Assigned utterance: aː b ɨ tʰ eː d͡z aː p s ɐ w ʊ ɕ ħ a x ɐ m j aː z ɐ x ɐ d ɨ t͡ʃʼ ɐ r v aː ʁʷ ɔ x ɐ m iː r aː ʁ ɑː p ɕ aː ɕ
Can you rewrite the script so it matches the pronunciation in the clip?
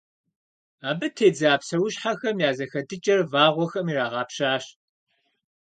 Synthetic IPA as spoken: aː b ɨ tʰ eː d͡z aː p s ɐ w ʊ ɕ ħ a x ɐ m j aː z ɐ x ɐ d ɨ t͡ʃʼ ɐ r v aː ʁʷ ɔ x ɐ m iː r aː ʁ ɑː p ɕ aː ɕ